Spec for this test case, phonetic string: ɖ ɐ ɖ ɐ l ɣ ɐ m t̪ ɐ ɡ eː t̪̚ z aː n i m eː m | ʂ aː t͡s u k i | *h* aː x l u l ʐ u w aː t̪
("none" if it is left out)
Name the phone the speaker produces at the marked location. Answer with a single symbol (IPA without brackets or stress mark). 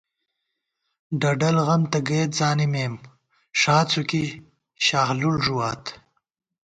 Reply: ɕ